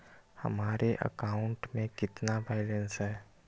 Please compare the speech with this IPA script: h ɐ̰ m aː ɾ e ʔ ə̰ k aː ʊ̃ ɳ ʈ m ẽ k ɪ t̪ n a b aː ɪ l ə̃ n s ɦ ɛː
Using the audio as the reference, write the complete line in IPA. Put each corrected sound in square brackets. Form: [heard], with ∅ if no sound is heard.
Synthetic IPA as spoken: h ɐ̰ m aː ɾ e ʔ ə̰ k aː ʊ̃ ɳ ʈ m ẽ k ɪ t̪ n a b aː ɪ l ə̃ n s ɦ ɛː